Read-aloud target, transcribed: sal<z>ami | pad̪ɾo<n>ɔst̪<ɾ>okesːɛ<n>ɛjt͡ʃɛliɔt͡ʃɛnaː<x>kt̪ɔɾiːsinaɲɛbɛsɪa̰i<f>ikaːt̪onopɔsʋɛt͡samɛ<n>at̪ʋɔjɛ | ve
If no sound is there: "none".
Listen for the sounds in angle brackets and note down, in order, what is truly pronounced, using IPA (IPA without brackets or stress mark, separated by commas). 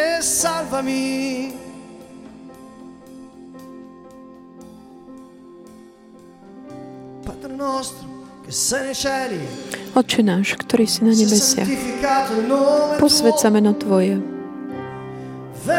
v, n, ɾ, n, ʃ, f, n